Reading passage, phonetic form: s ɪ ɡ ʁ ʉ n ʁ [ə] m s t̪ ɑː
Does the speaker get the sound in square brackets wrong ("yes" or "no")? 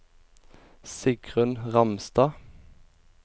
yes